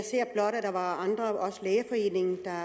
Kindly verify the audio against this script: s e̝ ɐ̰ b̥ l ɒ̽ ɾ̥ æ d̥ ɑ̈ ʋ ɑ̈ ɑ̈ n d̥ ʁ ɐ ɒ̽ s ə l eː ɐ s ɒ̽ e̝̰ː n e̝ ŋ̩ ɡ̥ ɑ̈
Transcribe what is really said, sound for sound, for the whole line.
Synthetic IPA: s e̝ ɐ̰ b̥ l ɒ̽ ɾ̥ æ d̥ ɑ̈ ʋ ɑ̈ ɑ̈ n d̥ ʁ ɐ ɒ̽ s ə l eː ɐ f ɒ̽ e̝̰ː n e̝ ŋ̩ d̥ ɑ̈